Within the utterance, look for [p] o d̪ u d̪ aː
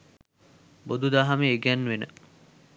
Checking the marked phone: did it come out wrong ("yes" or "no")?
yes